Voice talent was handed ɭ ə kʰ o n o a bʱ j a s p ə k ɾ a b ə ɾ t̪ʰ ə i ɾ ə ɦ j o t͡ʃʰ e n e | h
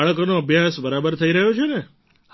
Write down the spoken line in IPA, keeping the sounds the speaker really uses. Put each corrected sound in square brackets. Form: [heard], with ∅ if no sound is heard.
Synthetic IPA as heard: ɭ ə [k] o n o [ə] bʱ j a s [b] ə [∅] ɾ a b ə ɾ t̪ʰ ə i ɾ ə ɦ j o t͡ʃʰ e n e | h